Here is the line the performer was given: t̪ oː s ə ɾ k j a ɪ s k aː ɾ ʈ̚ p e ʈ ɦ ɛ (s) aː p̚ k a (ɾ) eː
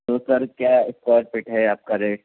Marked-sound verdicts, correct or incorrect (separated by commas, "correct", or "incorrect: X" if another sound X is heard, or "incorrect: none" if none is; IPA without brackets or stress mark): incorrect: none, correct